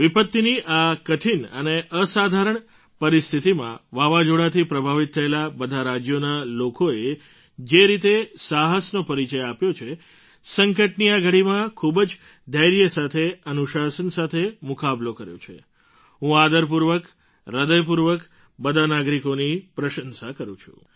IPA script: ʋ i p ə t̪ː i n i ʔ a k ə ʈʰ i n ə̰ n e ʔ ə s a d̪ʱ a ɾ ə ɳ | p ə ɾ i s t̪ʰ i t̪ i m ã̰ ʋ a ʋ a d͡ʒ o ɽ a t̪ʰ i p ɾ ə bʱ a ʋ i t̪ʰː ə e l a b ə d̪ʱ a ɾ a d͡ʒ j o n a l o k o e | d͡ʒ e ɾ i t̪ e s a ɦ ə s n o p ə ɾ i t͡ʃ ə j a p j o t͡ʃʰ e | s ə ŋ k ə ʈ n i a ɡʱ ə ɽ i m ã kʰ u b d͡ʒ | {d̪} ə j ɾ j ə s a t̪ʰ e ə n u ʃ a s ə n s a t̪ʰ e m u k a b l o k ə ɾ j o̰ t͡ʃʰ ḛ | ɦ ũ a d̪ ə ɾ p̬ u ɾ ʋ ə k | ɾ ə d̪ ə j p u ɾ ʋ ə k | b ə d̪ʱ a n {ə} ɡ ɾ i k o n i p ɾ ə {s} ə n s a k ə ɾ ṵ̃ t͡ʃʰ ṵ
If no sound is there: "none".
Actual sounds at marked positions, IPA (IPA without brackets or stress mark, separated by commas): d̪, a, ʃ